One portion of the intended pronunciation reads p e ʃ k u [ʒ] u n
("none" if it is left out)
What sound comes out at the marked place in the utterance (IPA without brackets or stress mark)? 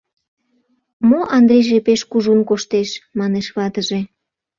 ʒ